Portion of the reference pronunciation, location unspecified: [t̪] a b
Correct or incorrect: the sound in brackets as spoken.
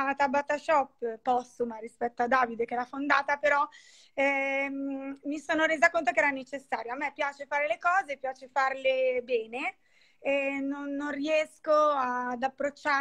correct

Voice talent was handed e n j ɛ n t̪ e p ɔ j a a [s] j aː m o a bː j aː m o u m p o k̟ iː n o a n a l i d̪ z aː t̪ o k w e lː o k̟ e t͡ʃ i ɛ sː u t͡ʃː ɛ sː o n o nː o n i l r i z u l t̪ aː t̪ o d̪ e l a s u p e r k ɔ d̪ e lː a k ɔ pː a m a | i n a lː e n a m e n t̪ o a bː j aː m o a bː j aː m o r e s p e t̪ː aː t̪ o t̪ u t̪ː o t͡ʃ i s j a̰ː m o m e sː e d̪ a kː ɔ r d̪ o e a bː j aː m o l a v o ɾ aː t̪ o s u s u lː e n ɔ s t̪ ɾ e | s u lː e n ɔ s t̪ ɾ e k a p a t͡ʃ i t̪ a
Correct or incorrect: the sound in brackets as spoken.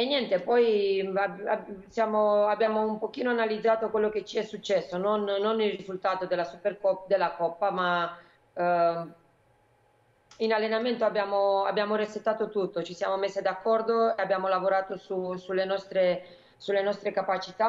correct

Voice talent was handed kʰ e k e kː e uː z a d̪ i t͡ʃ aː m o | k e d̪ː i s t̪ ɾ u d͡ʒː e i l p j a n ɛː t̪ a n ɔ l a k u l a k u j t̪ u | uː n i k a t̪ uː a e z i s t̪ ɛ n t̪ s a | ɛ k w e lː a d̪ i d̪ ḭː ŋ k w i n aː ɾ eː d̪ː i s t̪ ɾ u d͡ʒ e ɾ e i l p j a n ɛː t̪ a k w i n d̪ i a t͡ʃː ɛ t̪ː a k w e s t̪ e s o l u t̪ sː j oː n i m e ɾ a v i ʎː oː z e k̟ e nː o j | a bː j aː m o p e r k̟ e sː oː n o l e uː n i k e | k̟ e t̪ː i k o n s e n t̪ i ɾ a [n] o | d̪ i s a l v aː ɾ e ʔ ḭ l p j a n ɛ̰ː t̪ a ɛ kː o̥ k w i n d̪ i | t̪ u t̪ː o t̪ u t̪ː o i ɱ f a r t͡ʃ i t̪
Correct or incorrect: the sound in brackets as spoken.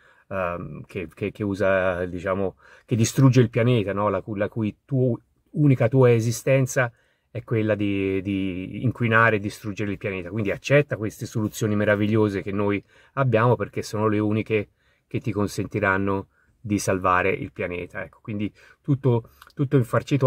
incorrect: nː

